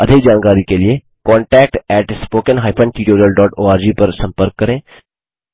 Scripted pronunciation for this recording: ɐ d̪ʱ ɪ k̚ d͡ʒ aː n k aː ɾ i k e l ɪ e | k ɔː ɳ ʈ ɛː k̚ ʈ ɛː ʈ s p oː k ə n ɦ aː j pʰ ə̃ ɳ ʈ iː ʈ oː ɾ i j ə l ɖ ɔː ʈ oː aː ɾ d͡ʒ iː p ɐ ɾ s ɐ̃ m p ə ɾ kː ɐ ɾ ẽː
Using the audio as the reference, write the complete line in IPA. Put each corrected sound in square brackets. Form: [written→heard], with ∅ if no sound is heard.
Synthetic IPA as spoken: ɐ d̪ʱ ɪ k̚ d͡ʒ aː n k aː ɾ i k e l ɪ e | k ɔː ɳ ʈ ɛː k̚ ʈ ɛː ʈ s p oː k ə n ɦ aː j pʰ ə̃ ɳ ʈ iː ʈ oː ɾ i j ə l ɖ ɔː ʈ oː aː ɾ d͡ʒ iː p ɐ ɾ s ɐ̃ m p ə ɾ kː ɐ ɾ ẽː

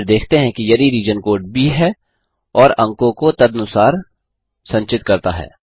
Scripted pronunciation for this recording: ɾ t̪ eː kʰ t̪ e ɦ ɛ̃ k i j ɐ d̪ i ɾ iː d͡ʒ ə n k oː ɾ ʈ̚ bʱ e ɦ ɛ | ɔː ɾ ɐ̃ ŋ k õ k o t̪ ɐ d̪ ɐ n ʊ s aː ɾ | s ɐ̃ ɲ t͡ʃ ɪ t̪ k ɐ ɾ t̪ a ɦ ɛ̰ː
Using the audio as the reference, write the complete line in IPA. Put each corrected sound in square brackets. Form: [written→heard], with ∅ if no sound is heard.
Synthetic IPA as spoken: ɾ [t̪→d̪] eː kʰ t̪ e ɦ ɛ̃ k i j ɐ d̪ i ɾ iː d͡ʒ ə n k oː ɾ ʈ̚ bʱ [e→i] ɦ ɛ | ɔː ɾ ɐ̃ ŋ k õ k o t̪ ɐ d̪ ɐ n ʊ s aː ɾ | s ɐ̃ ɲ t͡ʃ ɪ t̪ k ɐ ɾ t̪ a ɦ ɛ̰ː

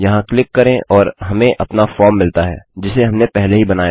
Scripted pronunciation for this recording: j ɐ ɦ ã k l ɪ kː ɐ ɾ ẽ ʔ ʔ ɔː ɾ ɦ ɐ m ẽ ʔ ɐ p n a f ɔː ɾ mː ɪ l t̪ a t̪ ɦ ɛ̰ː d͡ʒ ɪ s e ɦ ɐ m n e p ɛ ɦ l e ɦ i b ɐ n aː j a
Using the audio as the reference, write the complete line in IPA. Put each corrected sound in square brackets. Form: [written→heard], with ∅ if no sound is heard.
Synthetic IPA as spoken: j ɐ ɦ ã k l ɪ kː ɐ ɾ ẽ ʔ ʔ ɔː ɾ ɦ ɐ m ẽ ʔ ɐ p n a f ɔː ɾ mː ɪ l t̪ a [t̪→∅] ɦ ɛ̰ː d͡ʒ ɪ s e ɦ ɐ m n e p ɛ ɦ l e ɦ i b ɐ n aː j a

